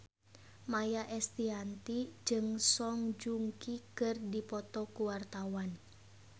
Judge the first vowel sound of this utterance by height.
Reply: low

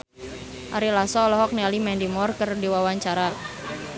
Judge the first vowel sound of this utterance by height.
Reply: low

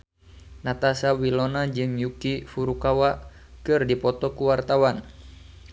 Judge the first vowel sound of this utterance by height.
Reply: low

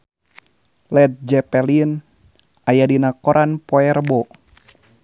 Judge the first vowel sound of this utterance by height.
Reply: mid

